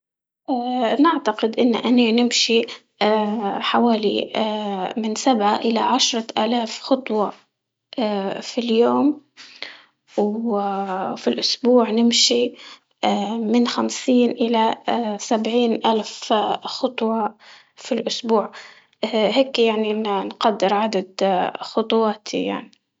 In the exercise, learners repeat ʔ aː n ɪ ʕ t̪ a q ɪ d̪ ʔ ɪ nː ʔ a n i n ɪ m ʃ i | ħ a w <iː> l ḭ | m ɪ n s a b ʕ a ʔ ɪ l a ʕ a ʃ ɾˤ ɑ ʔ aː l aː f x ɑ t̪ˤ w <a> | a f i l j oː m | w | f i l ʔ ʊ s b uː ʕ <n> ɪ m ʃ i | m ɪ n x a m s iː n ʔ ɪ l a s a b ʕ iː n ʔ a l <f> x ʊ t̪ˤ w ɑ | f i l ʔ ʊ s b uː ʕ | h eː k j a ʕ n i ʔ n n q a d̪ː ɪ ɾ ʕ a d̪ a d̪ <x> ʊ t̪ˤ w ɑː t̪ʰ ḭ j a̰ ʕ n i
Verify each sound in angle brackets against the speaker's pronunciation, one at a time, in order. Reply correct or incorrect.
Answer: incorrect: aː, incorrect: ɑ, correct, correct, correct

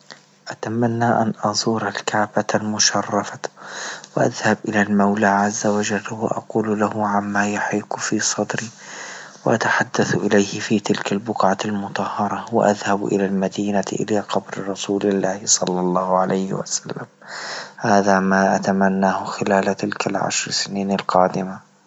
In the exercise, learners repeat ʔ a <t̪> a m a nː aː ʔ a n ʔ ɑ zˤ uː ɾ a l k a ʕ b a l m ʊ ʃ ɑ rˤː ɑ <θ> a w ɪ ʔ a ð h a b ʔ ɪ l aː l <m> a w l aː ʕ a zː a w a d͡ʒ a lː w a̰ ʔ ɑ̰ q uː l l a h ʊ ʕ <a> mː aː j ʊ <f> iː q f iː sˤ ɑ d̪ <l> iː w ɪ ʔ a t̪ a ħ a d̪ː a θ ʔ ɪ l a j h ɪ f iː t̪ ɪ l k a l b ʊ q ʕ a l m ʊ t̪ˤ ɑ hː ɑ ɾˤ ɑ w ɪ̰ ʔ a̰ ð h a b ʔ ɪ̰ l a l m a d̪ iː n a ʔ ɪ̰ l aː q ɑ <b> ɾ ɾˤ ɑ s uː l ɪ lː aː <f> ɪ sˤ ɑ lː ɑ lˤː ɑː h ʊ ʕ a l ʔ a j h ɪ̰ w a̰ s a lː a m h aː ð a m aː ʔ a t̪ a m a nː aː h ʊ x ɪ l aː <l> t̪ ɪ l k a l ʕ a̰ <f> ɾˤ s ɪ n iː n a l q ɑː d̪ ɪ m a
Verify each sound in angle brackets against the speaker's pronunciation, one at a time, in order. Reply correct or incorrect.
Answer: correct, incorrect: f, correct, correct, incorrect: ħ, incorrect: ɾ, correct, incorrect: h, correct, incorrect: ʃ

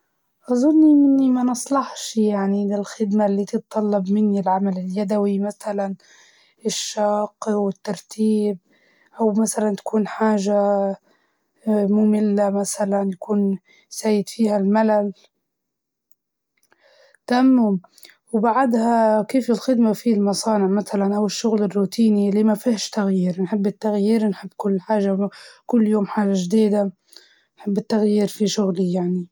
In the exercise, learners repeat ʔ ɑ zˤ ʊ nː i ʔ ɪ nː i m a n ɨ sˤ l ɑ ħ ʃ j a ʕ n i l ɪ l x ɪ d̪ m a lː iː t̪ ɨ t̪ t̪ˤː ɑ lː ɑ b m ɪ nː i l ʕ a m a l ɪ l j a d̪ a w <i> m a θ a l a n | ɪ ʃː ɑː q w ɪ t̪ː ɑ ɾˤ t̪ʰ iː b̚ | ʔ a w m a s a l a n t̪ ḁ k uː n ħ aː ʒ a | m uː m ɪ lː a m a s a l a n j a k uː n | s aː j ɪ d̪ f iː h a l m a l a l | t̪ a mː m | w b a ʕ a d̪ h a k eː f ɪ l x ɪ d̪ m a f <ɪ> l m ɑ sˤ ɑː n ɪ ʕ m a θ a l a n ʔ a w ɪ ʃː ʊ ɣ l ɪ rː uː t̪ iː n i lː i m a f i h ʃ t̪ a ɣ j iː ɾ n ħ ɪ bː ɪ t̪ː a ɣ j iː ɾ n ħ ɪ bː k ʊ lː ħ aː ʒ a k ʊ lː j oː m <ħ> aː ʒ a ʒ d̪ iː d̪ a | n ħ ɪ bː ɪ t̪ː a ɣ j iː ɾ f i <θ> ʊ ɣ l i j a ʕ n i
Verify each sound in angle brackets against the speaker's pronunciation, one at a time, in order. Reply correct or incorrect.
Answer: correct, incorrect: i, correct, incorrect: ʃ

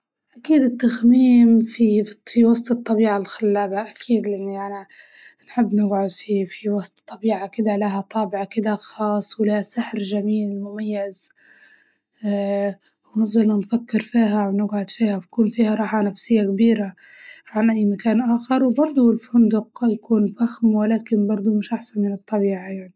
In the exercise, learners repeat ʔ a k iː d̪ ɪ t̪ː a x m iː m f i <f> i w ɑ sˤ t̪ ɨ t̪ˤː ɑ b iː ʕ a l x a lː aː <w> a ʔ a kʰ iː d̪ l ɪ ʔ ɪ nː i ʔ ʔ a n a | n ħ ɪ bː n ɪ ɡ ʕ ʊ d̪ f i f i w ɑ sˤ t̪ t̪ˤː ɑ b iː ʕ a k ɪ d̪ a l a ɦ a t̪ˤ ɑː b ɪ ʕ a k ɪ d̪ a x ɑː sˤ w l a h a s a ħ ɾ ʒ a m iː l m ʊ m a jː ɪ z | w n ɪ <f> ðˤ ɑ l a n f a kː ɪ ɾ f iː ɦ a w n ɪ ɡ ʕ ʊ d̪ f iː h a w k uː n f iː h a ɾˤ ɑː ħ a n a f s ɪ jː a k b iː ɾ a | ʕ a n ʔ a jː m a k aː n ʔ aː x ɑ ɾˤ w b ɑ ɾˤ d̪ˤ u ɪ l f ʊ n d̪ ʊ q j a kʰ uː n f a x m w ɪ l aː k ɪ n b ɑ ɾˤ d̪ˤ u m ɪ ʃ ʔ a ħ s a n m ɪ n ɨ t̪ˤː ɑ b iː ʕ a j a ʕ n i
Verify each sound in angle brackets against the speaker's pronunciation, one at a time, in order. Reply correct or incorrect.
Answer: correct, incorrect: b, correct

